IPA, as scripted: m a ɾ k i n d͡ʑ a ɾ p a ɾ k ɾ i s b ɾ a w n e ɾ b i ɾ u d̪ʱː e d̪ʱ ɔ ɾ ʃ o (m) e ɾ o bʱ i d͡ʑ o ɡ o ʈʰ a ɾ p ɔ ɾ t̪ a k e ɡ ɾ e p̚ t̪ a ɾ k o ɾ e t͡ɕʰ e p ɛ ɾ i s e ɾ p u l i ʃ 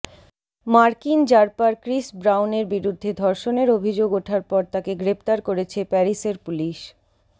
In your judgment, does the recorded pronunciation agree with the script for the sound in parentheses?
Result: no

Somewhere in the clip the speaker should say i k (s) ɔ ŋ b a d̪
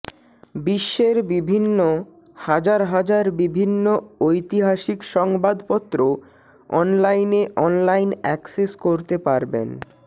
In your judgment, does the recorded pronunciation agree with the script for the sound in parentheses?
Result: no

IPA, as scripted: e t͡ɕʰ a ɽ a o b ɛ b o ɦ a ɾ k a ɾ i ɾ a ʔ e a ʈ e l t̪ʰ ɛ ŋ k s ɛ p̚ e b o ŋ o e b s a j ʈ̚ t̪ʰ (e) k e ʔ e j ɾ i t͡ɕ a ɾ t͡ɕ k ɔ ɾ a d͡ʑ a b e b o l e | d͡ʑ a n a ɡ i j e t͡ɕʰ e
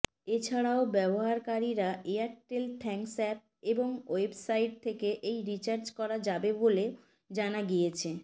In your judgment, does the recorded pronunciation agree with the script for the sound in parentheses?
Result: yes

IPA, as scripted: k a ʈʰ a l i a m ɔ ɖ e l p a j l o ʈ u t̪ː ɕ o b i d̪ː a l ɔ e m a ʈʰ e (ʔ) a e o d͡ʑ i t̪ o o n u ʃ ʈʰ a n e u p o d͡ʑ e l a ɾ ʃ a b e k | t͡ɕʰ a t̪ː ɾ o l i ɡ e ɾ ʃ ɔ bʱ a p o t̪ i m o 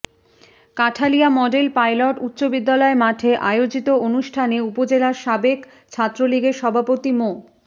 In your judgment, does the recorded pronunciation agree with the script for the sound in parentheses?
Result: yes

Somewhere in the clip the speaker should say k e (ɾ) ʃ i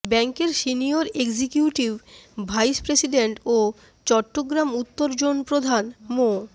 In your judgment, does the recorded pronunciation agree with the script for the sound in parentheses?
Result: yes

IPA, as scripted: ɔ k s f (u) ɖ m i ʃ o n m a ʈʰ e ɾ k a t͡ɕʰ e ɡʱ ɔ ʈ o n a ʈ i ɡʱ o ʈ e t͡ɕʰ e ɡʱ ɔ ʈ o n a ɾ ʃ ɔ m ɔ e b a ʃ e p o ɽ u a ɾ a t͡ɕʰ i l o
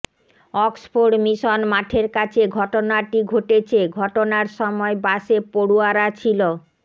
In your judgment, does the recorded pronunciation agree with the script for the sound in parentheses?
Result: no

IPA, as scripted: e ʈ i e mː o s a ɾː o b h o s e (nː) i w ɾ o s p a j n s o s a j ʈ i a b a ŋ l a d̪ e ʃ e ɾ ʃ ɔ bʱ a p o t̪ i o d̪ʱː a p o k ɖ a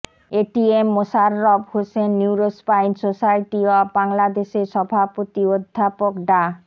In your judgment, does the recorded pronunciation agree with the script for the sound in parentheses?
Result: yes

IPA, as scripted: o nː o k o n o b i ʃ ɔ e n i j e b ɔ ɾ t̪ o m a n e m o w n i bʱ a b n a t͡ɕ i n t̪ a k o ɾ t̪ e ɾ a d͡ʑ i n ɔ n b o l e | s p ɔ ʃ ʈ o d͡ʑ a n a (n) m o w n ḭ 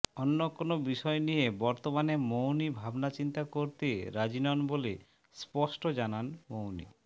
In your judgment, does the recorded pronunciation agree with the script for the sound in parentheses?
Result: yes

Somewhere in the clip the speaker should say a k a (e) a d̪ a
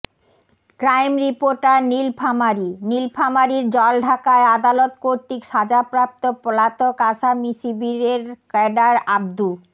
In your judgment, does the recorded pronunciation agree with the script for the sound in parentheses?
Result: yes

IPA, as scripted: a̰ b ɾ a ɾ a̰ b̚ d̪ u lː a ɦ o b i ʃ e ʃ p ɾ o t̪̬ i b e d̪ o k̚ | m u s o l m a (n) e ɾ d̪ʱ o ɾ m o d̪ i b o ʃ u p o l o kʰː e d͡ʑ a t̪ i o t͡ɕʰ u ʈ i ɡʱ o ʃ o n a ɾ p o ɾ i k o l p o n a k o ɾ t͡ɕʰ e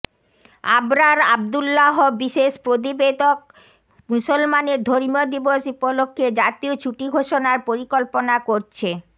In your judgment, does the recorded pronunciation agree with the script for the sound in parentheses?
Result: yes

